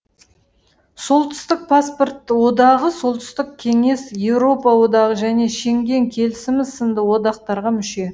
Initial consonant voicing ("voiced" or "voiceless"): voiceless